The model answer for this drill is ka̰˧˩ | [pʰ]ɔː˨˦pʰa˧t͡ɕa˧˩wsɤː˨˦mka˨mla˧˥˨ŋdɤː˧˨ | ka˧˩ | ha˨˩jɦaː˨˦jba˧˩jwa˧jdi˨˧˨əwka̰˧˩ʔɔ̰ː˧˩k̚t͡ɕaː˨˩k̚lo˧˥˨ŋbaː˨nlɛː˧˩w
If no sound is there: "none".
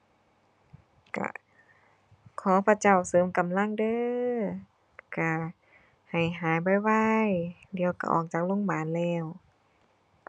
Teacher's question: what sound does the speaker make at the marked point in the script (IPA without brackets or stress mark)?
kʰ